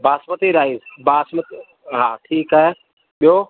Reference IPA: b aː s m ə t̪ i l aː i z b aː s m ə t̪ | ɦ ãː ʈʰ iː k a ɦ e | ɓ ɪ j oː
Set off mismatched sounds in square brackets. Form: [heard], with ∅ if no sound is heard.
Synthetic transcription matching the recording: b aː s m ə t̪ i [ɾ] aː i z b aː s m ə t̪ | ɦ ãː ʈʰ iː k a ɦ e | ɓ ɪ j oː